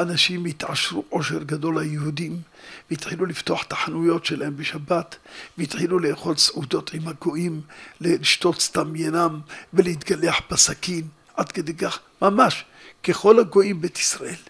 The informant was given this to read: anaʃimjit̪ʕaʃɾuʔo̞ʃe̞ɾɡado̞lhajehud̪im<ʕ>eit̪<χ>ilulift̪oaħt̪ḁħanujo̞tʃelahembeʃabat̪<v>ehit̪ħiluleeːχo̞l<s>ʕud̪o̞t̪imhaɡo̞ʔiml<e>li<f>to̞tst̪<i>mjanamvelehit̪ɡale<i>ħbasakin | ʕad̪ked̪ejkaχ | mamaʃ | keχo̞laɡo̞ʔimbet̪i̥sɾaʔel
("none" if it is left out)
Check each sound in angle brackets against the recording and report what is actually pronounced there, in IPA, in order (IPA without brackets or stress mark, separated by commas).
v, ħ, v, s, e, ʃ, a, a